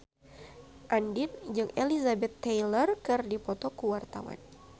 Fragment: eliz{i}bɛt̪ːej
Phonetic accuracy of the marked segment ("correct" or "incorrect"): incorrect